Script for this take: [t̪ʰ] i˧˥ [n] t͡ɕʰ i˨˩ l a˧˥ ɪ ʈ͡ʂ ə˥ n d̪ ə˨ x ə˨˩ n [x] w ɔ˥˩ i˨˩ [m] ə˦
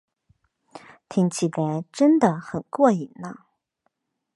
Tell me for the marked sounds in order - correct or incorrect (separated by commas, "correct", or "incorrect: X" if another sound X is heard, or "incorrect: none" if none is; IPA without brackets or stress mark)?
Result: correct, incorrect: ŋ, incorrect: k, incorrect: n